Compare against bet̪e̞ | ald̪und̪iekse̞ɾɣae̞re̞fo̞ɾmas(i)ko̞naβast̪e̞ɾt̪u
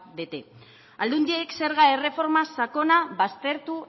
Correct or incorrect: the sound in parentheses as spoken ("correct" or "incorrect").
incorrect